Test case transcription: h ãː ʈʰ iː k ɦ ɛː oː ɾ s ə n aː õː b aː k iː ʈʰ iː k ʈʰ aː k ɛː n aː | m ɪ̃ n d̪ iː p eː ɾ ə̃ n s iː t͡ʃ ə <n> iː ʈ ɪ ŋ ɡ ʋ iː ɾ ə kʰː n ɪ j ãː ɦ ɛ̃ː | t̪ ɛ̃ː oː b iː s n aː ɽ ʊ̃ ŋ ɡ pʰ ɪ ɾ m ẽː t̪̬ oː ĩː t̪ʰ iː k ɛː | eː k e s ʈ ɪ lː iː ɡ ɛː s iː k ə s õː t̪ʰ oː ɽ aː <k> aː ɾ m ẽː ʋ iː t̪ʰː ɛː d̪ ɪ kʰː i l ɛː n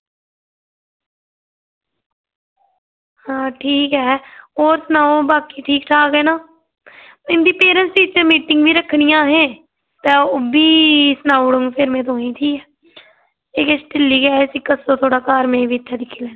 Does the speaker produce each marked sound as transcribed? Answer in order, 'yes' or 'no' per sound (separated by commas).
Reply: no, yes